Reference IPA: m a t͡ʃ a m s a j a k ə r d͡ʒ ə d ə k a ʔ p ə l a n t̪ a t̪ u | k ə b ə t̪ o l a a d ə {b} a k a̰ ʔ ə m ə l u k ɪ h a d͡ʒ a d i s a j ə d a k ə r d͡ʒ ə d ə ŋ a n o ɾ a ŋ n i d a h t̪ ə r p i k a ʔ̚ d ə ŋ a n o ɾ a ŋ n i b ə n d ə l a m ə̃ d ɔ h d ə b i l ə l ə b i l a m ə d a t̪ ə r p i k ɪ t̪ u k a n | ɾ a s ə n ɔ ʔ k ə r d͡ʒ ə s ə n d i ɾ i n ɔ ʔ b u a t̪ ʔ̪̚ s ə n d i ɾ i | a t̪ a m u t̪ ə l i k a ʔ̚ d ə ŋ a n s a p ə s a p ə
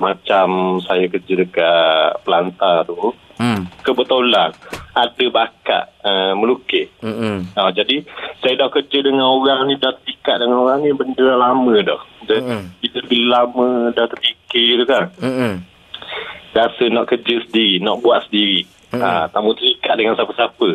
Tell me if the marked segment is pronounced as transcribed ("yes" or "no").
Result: yes